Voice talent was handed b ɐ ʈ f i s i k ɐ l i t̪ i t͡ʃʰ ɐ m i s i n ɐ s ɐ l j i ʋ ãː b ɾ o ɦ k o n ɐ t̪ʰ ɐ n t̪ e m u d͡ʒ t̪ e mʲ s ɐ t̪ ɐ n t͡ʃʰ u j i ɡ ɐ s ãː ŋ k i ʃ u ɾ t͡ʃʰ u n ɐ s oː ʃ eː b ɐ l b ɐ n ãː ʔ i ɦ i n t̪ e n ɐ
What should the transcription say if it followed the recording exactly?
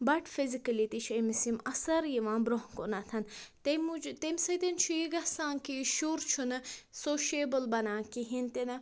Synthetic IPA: b ɐ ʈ f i z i k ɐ l i t̪ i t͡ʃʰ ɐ m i s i m ɐ s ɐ ɾ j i ʋ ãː b ɾ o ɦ k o n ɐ t̪ʰ ɐ n t̪ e m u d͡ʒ t̪ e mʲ s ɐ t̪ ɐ n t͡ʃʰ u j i ɡ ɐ s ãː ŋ k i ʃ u ɾ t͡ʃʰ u n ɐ s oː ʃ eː b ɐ l b ɐ n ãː k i ɦ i n t̪ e n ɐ

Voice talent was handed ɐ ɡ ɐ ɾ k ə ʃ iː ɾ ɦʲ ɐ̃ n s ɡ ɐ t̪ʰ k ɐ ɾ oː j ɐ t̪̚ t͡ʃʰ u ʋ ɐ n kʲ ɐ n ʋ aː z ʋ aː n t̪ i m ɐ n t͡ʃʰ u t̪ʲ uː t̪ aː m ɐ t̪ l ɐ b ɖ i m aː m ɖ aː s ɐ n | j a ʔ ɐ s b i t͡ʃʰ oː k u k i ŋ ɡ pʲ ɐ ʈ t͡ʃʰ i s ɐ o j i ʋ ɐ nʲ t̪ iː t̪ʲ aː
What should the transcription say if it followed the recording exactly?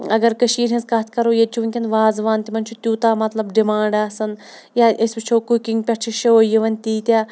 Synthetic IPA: ɐ ɡ ɐ ɾ k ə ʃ iː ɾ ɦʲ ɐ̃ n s k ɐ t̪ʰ k ɐ ɾ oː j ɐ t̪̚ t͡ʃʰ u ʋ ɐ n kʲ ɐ n ʋ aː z ʋ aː n t̪ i m ɐ n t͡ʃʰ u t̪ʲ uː t̪ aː m ɐ t̪ l ɐ b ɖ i m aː ɳ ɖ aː s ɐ n | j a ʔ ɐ s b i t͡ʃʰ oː k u k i ŋ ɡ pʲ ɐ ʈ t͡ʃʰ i ʃ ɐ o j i ʋ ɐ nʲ t̪ iː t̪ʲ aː

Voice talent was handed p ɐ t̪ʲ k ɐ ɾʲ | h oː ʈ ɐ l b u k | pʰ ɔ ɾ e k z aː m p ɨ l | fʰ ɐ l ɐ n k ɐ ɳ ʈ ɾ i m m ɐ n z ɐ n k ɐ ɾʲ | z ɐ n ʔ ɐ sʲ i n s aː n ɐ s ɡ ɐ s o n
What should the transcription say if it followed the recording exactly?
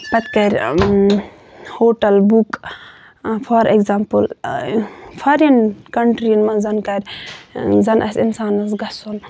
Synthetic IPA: p ɐ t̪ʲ k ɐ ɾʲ | h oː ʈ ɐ l b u k | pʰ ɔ ɾ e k z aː m p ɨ l | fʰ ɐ ɾ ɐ n k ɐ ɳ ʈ ɾ i n m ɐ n z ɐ n k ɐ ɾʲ | z ɐ n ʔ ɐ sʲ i n s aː n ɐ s ɡ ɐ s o n

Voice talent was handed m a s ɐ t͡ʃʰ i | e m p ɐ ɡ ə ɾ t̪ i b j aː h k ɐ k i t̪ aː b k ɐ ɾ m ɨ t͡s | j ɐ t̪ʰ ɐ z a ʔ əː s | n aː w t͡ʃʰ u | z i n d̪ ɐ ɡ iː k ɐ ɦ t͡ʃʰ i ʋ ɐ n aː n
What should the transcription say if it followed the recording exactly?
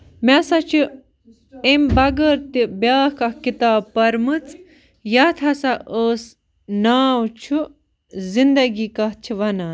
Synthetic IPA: m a s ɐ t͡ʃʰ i | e m b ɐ ɡ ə ɾ t̪ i b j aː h k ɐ k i t̪ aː b p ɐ ɾ m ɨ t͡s | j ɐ t̪ʰ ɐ s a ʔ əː s | n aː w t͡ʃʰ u | z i n d̪ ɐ ɡ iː k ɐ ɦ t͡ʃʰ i ʋ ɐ n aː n

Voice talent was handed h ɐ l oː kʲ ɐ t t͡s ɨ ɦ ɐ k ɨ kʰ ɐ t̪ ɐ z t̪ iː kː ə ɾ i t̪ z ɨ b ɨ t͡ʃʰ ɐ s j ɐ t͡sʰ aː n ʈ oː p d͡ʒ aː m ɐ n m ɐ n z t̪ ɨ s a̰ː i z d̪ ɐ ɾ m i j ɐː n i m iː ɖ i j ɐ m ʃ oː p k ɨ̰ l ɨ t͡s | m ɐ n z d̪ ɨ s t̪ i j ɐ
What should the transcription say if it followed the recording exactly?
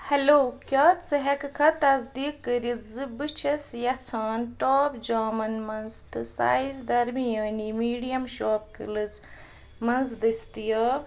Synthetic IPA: h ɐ l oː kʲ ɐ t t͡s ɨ ɦ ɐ k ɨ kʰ ɐ t̪ ɐ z d̪ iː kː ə ɾ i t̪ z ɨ b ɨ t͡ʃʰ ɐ s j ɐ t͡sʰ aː n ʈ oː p d͡ʒ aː m ɐ n m ɐ n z t̪ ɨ s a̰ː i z d̪ ɐ ɾ m i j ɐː n i m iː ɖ i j ɐ m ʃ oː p k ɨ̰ l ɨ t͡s | m ɐ n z d̪ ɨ s t̪ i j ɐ

